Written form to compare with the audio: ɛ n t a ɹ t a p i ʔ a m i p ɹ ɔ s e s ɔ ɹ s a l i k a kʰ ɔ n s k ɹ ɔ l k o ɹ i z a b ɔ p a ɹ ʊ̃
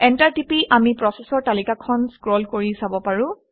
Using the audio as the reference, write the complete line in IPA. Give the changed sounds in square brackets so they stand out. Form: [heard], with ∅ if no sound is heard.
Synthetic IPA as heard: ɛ n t a ɹ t [i] p i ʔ a m i p ɹ ɔ s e s ɔ ɹ [t] a l i k a kʰ ɔ n s k ɹ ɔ l k o ɹ i [s] a b ɔ p a ɹ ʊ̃